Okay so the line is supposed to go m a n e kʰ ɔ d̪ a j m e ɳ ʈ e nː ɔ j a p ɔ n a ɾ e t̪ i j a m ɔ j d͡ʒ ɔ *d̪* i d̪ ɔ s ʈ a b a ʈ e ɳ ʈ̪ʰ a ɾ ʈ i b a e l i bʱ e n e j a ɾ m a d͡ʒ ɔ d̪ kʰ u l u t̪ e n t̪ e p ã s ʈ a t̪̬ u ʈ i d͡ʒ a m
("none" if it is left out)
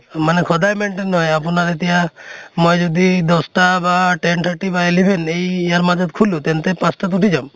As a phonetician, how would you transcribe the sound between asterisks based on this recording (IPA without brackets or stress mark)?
d̪